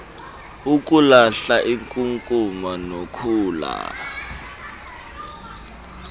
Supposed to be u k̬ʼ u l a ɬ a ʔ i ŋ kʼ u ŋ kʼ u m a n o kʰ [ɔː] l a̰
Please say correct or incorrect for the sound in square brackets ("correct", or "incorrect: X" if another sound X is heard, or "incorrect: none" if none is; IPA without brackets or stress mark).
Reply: incorrect: uː